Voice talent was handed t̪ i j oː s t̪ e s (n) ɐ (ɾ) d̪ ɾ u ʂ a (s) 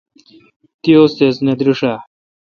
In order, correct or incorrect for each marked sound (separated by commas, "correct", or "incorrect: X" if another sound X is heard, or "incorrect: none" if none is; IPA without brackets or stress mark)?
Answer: correct, incorrect: none, incorrect: none